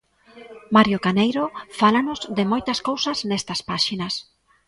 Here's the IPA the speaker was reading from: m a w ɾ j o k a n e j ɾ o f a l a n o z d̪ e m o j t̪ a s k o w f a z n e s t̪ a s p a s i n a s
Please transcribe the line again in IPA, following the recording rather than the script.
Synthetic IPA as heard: m a ɾ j o k a n e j ɾ o f a l a n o z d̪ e m o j t̪ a s k o w s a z n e s t̪ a s p a ʃ i n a s